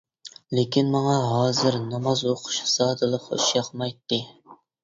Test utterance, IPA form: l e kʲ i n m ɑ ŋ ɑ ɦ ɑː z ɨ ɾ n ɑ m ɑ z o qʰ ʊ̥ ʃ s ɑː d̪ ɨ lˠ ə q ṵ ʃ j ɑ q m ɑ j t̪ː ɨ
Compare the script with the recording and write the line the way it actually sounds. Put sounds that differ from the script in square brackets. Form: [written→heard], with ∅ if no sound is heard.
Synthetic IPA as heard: l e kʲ i n m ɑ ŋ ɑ ɦ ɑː z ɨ ɾ n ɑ m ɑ z o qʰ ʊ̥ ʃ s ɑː d̪ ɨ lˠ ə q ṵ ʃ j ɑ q m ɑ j t̪ː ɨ

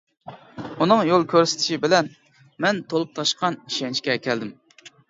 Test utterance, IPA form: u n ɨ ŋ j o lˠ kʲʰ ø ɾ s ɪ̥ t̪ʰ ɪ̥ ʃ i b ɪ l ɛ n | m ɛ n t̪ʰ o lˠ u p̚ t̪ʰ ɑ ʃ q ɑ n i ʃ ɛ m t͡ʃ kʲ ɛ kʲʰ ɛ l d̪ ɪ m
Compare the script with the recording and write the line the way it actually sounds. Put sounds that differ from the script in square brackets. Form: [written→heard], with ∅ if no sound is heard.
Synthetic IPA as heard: u n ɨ ŋ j o lˠ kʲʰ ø ɾ s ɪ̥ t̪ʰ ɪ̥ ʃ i b ɪ l ɛ n | m ɛ n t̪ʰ o lˠ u p̚ t̪ʰ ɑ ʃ q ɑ n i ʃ ɛ [m→n] t͡ʃ kʲ ɛ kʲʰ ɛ l d̪ ɪ m

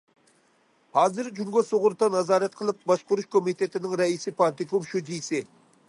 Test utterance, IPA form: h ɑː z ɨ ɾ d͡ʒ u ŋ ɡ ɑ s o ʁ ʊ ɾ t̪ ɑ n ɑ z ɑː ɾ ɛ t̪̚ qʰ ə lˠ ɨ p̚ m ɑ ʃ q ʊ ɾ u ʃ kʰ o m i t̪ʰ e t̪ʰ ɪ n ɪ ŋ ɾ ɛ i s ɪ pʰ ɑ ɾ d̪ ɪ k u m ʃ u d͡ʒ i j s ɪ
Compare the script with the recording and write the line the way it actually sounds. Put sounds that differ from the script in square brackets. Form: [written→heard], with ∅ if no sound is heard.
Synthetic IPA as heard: h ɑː z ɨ ɾ d͡ʒ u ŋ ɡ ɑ s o ʁ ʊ ɾ t̪ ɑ n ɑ z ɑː ɾ ɛ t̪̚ qʰ ə lˠ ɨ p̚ [m→b] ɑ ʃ q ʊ ɾ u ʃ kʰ o m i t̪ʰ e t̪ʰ ɪ n ɪ ŋ ɾ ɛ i s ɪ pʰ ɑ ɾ [d̪→t̪] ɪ k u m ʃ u d͡ʒ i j s ɪ

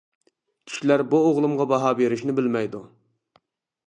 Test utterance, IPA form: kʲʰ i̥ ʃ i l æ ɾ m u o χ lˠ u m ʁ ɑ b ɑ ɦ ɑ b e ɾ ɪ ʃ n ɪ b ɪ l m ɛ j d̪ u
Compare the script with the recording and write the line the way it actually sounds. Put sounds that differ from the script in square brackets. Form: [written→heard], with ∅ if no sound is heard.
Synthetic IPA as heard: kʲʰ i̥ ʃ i l æ ɾ [m→b] u o [χ→ʁ] lˠ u m ʁ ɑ b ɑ ɦ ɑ b e ɾ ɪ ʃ n ɪ b ɪ l m ɛ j d̪ u

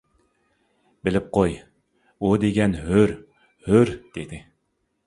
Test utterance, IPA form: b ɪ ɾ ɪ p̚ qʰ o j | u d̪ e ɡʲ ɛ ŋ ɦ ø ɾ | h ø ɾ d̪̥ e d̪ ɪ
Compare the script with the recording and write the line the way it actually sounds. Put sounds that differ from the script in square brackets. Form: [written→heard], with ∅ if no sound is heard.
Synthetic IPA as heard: b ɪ [ɾ→l] ɪ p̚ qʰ o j | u d̪ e ɡʲ ɛ [ŋ→n] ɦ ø ɾ | h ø ɾ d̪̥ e d̪ ɪ

